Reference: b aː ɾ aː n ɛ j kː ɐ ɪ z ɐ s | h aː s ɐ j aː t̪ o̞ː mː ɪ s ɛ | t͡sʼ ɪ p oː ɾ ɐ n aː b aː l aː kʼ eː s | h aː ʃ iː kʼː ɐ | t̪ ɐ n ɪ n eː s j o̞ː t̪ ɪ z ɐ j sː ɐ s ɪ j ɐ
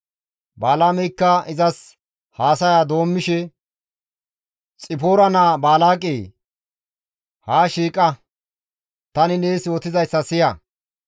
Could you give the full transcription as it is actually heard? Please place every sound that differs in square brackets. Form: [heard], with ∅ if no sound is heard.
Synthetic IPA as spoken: b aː [l] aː [m] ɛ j kː ɐ ɪ z ɐ s | h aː s ɐ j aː [d̪] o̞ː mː ɪ [ʃ] ɛ | t͡sʼ ɪ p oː ɾ ɐ n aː b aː l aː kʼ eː [∅] | h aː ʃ iː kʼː ɐ | t̪ ɐ n ɪ n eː s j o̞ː t̪ ɪ z ɐ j sː ɐ s ɪ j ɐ